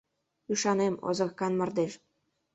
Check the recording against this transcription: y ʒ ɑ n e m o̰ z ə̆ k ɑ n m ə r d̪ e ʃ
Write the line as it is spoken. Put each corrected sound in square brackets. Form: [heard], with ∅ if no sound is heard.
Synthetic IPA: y [ʃ] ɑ n e m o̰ z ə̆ k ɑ n m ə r d̪ e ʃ